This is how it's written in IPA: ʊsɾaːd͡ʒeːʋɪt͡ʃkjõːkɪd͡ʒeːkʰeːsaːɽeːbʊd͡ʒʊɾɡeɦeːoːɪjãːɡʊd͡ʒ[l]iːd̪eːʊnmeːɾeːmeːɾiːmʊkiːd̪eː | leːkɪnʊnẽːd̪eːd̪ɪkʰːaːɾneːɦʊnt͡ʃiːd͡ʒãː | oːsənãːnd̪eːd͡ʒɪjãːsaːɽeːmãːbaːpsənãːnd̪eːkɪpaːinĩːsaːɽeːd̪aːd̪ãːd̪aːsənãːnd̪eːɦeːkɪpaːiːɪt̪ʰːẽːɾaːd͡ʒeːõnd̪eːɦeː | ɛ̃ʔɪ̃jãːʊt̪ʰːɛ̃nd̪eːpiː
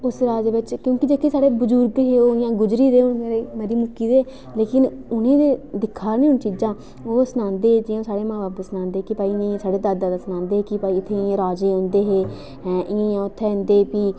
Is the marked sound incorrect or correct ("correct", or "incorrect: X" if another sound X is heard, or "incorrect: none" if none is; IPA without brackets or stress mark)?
incorrect: ɾ